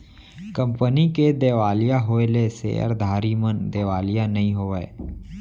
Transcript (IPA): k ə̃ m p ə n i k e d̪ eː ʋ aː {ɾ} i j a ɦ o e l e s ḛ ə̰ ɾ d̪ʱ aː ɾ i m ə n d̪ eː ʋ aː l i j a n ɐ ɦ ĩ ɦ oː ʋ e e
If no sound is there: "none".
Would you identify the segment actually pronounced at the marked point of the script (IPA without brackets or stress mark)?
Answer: l